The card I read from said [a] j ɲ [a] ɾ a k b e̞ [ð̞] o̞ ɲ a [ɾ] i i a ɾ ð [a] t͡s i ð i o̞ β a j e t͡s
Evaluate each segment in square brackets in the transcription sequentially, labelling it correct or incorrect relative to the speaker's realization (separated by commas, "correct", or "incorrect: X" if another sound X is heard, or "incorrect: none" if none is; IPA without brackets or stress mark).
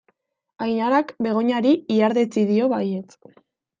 correct, correct, incorrect: ɣ̞, correct, incorrect: e